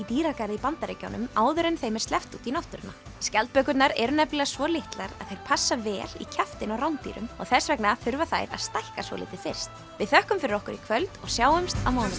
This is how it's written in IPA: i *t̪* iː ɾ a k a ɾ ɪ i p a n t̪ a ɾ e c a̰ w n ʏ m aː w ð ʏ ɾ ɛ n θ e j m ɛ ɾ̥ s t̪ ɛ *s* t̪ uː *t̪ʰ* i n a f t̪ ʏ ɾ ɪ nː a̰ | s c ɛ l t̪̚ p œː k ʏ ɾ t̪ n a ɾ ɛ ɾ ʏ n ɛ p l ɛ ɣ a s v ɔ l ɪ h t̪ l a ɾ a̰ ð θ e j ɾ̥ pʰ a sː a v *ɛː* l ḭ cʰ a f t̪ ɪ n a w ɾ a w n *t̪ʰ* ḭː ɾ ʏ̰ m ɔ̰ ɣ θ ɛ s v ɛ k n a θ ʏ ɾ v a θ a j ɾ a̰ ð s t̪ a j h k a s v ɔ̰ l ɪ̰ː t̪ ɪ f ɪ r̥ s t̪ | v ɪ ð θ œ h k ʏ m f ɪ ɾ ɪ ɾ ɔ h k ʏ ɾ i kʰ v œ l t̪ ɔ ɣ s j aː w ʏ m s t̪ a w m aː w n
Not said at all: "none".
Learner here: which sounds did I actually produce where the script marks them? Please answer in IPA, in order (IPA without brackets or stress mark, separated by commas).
t̪, f, t̪, ɛː, t̪